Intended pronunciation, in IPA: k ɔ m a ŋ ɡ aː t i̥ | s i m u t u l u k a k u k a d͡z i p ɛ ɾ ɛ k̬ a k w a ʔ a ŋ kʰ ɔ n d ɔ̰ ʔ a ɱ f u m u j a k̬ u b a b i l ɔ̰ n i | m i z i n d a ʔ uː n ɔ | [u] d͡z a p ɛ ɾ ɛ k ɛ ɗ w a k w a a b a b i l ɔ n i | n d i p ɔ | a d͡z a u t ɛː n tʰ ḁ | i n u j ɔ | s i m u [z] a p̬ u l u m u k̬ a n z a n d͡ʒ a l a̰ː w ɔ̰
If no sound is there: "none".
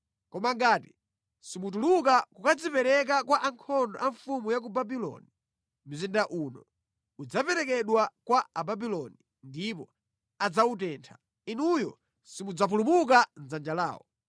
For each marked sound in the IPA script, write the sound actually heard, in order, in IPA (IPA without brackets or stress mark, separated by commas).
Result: u, d͡z